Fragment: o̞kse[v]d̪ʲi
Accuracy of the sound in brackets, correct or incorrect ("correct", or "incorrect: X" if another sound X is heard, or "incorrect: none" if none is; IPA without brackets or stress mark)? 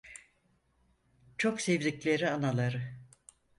correct